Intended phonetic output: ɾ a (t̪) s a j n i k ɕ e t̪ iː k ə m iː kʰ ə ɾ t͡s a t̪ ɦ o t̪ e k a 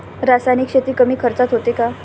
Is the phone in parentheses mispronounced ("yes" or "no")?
yes